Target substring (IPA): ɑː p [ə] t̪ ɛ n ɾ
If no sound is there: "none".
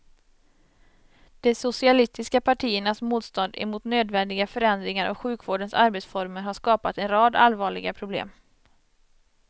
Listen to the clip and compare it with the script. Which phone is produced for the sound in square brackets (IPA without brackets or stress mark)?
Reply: a